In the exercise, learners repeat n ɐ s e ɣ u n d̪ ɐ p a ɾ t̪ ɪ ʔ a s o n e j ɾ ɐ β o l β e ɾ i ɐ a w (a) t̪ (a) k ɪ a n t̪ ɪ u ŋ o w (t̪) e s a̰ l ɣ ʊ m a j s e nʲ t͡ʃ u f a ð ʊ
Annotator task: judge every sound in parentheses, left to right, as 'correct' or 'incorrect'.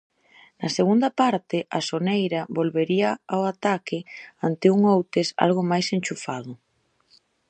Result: correct, correct, correct

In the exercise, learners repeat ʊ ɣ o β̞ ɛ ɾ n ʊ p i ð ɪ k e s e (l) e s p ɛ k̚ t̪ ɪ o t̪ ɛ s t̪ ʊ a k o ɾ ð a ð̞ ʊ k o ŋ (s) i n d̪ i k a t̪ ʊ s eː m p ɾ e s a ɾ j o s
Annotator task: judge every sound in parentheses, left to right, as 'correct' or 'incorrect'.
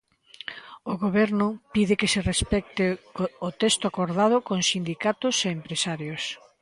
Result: incorrect, correct

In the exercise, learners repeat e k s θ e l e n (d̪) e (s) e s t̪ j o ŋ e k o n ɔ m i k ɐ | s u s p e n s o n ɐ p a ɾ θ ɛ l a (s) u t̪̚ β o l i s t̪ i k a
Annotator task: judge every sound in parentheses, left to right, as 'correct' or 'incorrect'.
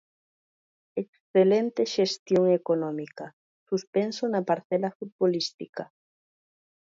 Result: incorrect, incorrect, incorrect

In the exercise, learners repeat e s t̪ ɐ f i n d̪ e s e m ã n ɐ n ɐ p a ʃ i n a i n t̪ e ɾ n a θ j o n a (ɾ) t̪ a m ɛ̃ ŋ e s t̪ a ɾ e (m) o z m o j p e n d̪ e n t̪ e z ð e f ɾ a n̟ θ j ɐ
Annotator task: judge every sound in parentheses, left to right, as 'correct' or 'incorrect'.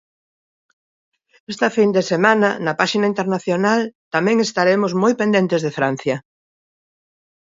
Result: incorrect, correct

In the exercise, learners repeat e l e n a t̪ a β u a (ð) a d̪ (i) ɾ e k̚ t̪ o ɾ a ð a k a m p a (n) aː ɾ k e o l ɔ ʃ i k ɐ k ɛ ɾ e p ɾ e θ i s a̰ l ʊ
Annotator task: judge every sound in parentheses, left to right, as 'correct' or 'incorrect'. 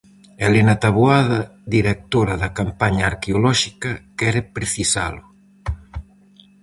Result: correct, correct, incorrect

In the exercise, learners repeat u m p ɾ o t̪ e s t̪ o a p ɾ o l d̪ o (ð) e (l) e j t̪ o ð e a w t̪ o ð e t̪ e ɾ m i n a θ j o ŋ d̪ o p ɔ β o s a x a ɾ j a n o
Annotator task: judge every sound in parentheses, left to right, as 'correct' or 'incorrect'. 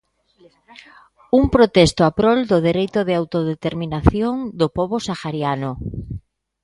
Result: correct, incorrect

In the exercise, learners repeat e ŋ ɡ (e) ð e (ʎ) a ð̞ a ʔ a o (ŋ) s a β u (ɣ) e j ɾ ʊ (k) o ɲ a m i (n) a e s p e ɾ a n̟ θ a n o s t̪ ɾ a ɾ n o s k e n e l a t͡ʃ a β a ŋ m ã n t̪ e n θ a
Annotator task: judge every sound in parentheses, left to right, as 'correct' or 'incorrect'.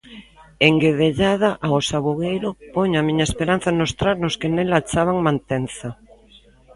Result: correct, correct, incorrect, correct, incorrect, incorrect

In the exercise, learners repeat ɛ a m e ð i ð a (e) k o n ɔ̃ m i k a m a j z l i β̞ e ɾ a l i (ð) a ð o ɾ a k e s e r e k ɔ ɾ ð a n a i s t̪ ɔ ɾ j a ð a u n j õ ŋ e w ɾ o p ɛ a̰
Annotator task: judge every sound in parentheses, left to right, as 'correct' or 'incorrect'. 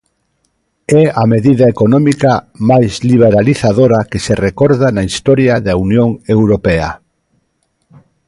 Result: correct, incorrect

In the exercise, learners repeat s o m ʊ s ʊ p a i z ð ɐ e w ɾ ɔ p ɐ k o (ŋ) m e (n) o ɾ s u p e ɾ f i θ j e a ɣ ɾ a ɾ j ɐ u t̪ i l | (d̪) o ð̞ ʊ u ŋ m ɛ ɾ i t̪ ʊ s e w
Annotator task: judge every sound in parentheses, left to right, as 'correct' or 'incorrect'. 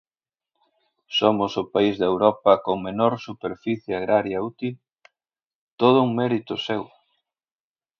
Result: correct, correct, incorrect

